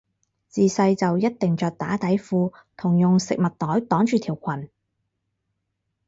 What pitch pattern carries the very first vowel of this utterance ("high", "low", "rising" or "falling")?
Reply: low